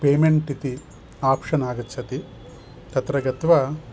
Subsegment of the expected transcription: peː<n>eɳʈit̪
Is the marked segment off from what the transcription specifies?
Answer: yes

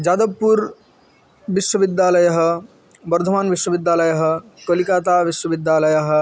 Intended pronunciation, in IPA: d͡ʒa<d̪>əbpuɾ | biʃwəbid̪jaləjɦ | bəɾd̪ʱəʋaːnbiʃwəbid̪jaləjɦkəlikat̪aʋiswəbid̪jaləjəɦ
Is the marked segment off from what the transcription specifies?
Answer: no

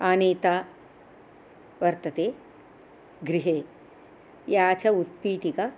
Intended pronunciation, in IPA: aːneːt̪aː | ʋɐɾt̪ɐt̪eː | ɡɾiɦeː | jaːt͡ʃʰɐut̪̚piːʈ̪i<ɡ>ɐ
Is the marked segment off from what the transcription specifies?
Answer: yes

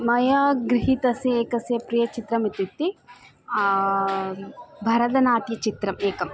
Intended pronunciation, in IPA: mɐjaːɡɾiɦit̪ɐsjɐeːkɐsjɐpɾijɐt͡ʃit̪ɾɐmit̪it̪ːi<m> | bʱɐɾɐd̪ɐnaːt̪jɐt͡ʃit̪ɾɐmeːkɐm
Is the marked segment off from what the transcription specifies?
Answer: yes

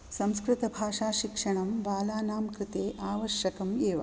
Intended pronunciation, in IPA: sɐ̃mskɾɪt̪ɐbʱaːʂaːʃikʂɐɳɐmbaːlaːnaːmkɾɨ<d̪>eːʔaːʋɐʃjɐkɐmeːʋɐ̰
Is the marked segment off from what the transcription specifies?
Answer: yes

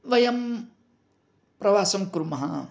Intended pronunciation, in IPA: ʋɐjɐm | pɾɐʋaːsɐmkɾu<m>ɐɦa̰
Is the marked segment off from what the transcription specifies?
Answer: no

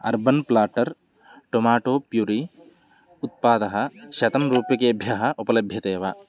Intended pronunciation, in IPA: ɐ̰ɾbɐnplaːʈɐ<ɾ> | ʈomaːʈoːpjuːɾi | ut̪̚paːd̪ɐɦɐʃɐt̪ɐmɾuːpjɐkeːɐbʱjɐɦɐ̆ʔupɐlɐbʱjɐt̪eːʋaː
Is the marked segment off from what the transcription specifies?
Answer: no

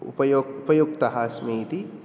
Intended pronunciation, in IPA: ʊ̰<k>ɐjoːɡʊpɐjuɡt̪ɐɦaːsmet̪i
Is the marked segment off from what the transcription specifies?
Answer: yes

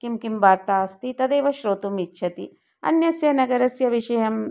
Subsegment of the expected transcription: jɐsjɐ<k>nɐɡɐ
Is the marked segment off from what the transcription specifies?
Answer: yes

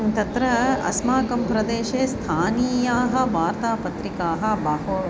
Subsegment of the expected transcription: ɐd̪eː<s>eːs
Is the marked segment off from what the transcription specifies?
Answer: yes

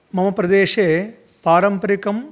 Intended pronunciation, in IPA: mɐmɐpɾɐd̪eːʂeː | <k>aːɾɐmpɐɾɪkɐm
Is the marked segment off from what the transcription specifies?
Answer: yes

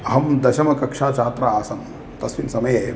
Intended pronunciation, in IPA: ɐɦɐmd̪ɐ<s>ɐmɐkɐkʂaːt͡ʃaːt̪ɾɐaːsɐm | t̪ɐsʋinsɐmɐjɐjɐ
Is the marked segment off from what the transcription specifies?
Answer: yes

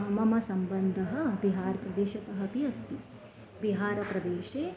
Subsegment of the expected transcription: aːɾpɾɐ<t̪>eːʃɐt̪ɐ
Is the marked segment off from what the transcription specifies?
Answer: yes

